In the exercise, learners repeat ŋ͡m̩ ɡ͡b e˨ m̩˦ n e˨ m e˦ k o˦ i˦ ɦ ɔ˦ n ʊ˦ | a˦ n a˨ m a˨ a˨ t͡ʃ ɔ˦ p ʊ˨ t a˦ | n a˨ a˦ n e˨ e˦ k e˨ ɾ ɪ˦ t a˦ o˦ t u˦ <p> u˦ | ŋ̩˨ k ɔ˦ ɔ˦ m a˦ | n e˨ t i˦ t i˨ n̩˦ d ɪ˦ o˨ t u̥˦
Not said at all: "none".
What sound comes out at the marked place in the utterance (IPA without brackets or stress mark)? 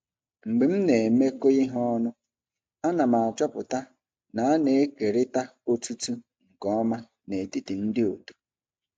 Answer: t